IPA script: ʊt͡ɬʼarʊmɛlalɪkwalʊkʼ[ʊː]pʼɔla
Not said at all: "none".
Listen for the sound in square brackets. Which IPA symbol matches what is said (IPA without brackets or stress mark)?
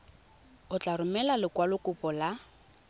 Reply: ʊ